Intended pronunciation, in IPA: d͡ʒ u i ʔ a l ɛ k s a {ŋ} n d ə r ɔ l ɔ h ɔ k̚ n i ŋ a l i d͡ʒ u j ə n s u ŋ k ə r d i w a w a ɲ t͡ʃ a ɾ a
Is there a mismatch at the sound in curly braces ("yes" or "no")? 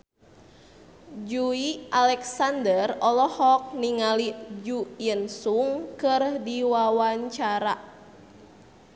yes